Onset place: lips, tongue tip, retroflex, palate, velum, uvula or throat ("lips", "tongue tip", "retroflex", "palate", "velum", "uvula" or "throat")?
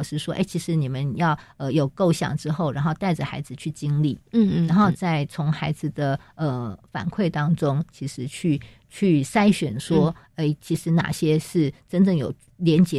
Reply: retroflex